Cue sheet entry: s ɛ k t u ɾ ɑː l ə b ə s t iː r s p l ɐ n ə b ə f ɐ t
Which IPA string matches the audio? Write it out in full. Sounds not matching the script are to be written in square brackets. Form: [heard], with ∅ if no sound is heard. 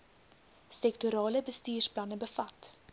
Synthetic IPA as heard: s ɛ k t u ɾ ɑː l ə b ə s t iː r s p l ɐ n ə b ə f ɐ t